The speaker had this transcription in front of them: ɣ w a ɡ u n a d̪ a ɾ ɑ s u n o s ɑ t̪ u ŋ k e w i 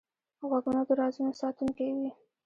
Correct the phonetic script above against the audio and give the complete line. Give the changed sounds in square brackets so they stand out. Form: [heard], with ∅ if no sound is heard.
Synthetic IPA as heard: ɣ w a ɡ u n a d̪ [ə] ɾ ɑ [z] u n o s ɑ t̪ u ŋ k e w i